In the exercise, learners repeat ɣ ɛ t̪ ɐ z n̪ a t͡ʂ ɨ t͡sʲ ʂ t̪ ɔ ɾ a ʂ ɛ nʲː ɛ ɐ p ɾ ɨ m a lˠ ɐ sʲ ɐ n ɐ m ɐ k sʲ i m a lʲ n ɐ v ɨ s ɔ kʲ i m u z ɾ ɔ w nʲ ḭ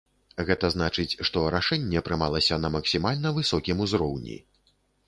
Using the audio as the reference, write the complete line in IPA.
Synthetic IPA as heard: ɣ ɛ t̪ ɐ z n̪ a t͡ʂ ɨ t͡sʲ ʂ t̪ ɔ ɾ a ʂ ɛ nʲː ɛ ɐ p ɾ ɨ m a lˠ ɐ sʲ ɐ n ɐ m ɐ k sʲ i m a lʲ n ɐ v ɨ s ɔ kʲ i m u z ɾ ɔ w nʲ ḭ

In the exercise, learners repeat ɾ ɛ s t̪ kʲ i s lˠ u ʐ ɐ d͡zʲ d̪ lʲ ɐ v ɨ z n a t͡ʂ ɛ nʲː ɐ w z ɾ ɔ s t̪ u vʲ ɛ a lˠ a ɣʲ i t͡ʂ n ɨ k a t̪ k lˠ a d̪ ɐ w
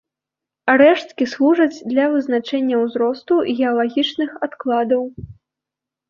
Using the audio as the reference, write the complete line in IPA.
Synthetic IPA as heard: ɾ ɛ ʂ t̪ kʲ i s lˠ u ʐ ɐ d͡zʲ d̪ lʲ ɐ v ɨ z n a t͡ʂ ɛ nʲː ɐ w z ɾ ɔ s t̪ u ɣʲ ɛ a lˠ a ɣʲ i t͡ʂ n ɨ x a t̪ k lˠ a d̪ ɐ w

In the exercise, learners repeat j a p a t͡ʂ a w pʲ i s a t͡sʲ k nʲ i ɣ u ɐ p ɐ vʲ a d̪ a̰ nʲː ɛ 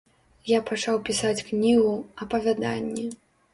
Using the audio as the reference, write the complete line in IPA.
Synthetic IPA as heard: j a p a t͡ʂ a w pʲ i s a t͡sʲ k nʲ i ɣ u ɐ p ɐ vʲ a d̪ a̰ nʲː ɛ

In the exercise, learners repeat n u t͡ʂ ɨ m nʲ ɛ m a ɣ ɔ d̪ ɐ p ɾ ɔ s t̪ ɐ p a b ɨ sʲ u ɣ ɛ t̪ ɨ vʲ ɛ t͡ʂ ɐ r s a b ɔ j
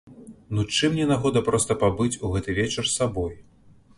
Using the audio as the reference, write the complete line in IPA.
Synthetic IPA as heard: n u t͡ʂ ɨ m nʲ ɛ n a ɣ ɔ d̪ ɐ p ɾ ɔ s t̪ ɐ p a b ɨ t͡sʲ u ɣ ɛ t̪ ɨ vʲ ɛ t͡ʂ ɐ r s a b ɔ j

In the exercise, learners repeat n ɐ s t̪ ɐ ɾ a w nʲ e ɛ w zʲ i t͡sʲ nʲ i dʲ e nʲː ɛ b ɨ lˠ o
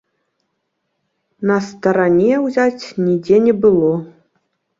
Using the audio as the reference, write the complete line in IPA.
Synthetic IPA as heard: n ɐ s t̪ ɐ ɾ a nʲ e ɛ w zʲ a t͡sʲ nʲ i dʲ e nʲ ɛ b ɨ lˠ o

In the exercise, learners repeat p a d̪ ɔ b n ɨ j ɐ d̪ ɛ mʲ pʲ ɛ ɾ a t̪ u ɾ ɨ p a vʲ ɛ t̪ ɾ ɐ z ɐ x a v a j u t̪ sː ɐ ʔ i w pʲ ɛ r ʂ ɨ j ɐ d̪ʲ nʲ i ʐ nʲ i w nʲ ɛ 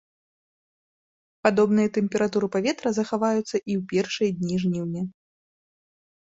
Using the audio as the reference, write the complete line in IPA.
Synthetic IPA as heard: p a d̪ ɔ b n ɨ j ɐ t̪ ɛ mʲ pʲ ɛ ɾ a t̪ u ɾ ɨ p a vʲ ɛ t̪ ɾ ɐ z ɐ x a v a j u t̪ sː ɐ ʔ i w pʲ ɛ r ʂ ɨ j ɐ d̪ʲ nʲ i ʐ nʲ i w nʲ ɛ

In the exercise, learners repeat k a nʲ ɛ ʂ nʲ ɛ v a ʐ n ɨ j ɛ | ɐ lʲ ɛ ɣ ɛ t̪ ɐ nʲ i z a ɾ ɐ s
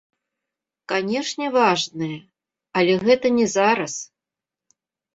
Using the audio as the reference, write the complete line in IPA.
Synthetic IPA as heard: k a nʲ ɛ ʂ nʲ ɛ v a ʐ n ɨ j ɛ | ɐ lʲ ɛ ɣ ɛ t̪ ɐ nʲ ɛ z a ɾ ɐ s

